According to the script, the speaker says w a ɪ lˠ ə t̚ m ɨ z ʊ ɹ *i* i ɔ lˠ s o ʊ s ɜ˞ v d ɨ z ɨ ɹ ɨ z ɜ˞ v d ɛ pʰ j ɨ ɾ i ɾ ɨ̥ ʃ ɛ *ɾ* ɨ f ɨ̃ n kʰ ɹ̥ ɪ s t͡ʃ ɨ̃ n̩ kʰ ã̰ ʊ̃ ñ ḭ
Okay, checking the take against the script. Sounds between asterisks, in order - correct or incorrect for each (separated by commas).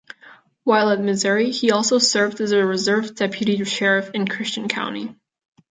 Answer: correct, incorrect